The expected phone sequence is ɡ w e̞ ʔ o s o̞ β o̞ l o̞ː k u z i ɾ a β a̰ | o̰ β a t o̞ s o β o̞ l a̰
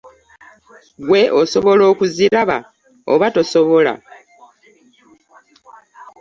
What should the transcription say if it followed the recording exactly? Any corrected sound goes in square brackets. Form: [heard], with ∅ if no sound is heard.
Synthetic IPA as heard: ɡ w e̞ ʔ o s o̞ β o̞ l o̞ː k u z i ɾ a β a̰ | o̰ β a t o̞ s o β o̞ l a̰